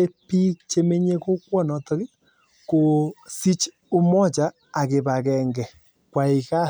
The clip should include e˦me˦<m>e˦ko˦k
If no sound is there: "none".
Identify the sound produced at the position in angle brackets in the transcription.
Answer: ɲ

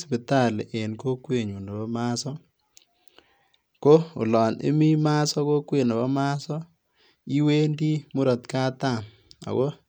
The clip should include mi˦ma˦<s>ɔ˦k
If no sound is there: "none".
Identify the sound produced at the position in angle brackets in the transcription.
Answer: s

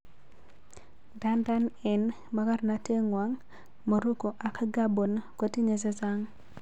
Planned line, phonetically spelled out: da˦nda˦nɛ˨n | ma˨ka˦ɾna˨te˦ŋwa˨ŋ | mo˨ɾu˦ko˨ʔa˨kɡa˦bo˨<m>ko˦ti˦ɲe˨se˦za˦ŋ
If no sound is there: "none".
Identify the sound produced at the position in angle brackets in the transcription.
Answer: n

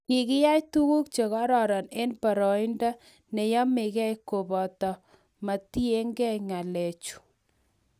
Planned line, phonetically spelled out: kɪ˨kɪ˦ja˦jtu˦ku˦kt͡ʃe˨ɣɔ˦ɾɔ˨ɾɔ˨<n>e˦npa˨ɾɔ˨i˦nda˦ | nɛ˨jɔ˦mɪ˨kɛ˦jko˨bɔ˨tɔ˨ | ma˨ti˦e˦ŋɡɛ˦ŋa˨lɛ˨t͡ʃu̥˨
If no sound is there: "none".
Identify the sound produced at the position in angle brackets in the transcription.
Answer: n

